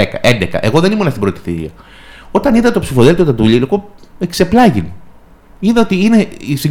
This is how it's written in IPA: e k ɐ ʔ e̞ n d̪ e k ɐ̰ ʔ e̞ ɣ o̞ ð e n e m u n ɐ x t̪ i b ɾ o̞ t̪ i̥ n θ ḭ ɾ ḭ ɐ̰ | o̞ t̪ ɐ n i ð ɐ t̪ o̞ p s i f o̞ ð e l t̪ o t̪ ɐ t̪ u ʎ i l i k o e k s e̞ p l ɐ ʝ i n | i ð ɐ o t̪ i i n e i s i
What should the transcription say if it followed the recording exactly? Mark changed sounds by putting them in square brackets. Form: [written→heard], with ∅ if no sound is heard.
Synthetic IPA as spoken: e k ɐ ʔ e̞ n d̪ e k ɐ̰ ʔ e̞ ɣ o̞ ð e n [e→i] m u n ɐ [x→s] t̪ i b ɾ o̞ t̪ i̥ [n→∅] θ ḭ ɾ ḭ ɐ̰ | o̞ t̪ ɐ n i ð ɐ t̪ o̞ p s i f o̞ ð e l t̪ o t̪ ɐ t̪ u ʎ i l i k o e k s e̞ p l ɐ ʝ i n | i ð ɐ o t̪ i i n e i s i